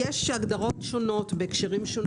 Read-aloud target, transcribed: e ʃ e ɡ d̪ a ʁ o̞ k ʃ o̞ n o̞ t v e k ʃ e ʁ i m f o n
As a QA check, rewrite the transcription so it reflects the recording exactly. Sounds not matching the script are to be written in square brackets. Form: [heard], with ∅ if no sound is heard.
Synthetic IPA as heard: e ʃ [a] ɡ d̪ a ʁ o̞ [t] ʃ o̞ n o̞ t [b] e k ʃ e ʁ i m [ʃ] o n